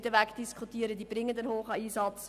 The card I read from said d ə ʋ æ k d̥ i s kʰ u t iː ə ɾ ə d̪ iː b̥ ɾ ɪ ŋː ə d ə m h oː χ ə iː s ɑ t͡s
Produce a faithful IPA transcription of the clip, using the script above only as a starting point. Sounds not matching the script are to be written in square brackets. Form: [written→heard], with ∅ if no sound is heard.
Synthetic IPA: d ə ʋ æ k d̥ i s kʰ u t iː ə ɾ ə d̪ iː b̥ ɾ ɪ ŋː ə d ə [m→n] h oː χ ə iː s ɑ t͡s